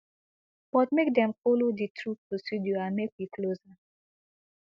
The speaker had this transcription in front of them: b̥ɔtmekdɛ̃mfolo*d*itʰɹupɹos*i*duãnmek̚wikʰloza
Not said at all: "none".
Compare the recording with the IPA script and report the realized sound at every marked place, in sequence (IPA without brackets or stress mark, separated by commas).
d, i